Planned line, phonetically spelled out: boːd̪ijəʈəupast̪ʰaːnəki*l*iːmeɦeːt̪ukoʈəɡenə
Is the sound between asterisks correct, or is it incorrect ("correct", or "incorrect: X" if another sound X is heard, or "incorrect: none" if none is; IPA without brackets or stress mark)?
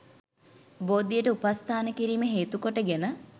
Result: incorrect: ɾ